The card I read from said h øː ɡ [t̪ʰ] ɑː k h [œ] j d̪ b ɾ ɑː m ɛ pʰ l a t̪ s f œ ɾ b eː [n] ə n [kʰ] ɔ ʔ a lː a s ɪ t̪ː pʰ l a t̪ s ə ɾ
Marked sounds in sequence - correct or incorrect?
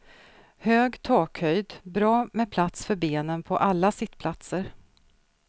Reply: correct, correct, correct, incorrect: pʰ

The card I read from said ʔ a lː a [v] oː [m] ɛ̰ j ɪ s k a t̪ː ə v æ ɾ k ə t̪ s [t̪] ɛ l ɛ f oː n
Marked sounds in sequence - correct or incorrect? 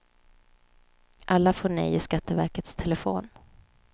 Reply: incorrect: f, incorrect: ɳ, incorrect: t̪ʰ

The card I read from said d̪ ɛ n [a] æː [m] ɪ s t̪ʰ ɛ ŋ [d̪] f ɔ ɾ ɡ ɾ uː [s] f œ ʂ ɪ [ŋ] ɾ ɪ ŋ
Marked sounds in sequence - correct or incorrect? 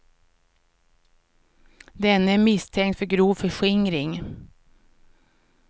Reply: incorrect: ə, correct, incorrect: t̪, incorrect: none, correct

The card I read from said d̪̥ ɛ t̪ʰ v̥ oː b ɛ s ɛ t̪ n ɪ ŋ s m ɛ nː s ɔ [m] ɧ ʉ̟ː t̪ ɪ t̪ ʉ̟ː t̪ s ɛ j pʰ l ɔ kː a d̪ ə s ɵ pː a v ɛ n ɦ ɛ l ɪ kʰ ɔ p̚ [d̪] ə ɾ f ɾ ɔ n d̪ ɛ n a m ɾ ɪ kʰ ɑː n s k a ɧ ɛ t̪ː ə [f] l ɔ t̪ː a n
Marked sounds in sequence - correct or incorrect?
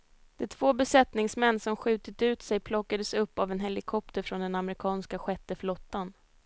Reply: correct, incorrect: t̪, correct

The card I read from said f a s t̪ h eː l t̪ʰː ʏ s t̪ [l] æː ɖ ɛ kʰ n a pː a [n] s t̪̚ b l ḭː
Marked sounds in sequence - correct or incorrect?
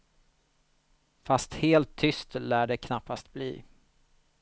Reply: correct, incorrect: none

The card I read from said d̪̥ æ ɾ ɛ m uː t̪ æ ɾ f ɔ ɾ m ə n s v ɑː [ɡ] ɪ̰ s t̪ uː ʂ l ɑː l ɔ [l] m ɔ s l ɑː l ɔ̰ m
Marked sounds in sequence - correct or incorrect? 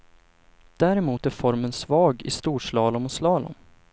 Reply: correct, incorrect: none

